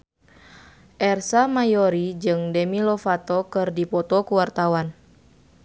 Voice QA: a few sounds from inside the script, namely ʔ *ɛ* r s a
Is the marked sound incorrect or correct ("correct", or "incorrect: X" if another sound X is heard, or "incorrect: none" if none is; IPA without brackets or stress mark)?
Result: correct